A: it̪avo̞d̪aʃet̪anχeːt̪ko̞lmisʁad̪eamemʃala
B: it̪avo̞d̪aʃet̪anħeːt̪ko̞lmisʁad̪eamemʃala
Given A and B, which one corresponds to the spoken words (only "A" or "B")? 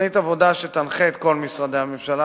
A